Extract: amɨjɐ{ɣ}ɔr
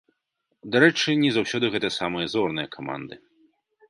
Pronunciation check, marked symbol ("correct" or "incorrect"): incorrect